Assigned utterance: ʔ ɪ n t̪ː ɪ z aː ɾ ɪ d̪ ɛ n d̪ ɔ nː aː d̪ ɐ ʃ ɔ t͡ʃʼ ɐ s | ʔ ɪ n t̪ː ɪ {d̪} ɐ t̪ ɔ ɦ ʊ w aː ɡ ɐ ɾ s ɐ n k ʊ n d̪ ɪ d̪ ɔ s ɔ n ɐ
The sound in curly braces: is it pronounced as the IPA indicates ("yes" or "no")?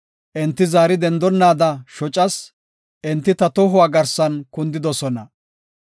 no